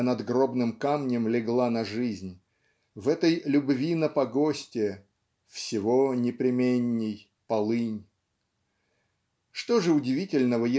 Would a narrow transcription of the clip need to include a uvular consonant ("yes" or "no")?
no